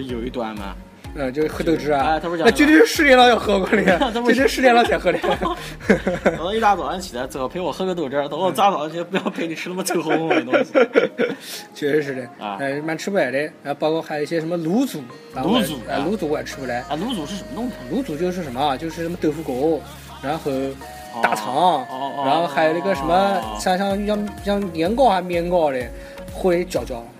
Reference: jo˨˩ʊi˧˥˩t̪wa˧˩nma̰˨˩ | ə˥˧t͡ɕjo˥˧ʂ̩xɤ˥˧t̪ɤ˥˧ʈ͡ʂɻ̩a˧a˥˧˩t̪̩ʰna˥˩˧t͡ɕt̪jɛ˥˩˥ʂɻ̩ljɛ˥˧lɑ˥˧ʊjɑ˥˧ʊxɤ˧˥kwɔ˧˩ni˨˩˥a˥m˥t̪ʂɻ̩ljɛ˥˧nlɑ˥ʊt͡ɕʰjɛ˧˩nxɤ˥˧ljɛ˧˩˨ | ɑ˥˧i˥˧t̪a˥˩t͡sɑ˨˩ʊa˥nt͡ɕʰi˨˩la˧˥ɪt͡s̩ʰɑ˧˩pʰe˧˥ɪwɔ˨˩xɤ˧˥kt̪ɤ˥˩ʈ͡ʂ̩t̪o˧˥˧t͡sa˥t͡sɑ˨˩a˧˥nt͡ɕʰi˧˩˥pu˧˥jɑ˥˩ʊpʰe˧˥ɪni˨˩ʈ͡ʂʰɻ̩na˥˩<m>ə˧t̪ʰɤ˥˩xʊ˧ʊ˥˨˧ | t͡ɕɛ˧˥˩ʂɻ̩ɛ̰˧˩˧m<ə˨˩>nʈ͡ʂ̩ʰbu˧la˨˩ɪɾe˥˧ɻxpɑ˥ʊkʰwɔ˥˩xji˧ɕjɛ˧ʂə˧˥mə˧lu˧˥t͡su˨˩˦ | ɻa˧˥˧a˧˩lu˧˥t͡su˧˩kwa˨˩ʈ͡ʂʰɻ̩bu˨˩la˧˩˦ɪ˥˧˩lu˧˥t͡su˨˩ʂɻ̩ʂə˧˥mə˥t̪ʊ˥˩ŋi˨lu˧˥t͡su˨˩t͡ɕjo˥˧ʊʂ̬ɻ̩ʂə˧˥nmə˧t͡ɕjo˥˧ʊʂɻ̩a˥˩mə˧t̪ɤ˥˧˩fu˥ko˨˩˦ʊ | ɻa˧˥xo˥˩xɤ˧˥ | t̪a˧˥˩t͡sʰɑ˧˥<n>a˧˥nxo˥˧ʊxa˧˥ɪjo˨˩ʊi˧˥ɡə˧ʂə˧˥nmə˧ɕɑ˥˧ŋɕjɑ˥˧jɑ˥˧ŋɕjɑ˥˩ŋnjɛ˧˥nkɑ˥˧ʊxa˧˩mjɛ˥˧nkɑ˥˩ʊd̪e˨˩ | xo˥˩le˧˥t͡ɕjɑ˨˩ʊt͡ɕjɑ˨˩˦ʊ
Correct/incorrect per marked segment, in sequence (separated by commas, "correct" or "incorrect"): correct, incorrect, incorrect